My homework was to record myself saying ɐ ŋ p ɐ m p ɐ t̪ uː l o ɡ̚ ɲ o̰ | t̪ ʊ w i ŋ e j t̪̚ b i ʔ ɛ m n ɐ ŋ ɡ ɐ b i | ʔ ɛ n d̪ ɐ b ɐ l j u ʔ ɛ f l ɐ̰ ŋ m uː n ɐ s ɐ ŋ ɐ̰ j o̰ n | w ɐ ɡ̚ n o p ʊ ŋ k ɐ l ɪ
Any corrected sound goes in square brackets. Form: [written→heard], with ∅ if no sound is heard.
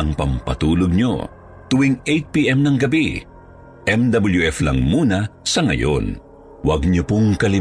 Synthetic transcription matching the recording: ɐ ŋ p ɐ m p ɐ t̪ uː l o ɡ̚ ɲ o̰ | t̪ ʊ w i ŋ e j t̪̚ [b→p] i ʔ ɛ m n ɐ ŋ ɡ ɐ b i | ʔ ɛ [n→m] d̪ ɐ b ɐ l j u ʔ ɛ f l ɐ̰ ŋ m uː n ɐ s ɐ ŋ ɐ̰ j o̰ n | w ɐ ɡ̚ [n→ɲ] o p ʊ ŋ k ɐ l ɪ